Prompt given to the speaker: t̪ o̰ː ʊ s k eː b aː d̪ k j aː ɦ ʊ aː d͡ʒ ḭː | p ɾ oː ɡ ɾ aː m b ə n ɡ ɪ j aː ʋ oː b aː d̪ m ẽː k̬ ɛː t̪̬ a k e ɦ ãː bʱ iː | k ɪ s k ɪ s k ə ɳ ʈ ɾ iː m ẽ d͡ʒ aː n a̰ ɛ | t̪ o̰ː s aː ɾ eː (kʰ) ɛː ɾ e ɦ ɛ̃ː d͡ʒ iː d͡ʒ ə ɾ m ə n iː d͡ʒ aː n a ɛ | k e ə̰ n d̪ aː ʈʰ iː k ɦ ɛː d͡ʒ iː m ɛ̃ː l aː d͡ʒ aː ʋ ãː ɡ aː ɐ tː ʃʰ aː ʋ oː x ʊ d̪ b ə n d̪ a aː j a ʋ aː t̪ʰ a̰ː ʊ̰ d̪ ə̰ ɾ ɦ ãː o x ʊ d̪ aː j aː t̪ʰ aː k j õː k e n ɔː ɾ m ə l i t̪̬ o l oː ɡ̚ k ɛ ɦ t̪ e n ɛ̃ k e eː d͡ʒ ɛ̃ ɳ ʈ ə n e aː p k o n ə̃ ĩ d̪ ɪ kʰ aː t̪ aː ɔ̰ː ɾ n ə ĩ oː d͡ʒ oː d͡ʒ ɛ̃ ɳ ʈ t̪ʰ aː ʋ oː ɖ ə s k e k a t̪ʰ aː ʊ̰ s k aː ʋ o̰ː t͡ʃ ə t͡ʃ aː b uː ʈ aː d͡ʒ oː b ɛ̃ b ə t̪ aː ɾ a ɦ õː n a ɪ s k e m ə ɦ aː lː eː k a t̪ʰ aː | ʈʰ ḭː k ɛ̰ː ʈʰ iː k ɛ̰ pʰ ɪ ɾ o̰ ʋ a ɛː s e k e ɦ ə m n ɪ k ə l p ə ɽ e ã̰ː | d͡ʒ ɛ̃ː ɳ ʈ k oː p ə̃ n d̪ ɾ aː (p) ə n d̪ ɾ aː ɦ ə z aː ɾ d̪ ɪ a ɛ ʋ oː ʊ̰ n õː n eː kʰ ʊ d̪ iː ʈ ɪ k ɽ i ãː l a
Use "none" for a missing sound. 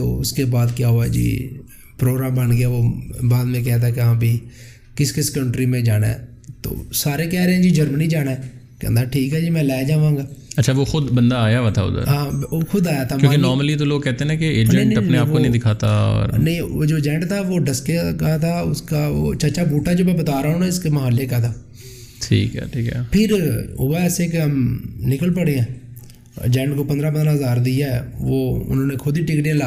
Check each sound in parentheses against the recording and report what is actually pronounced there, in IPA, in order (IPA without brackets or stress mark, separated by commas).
k, p